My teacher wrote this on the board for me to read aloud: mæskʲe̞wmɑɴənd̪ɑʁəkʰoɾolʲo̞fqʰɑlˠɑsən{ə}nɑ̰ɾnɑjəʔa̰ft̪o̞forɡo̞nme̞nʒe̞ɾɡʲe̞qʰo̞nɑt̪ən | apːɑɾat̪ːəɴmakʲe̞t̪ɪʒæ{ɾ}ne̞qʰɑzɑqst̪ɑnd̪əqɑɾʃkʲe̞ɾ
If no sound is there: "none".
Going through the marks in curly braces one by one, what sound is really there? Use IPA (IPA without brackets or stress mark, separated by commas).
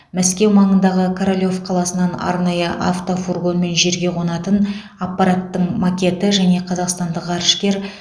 ɑ, none